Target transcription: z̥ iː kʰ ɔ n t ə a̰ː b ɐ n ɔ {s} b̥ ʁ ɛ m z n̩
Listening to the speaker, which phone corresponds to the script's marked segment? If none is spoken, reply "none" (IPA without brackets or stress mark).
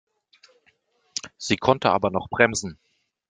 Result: χ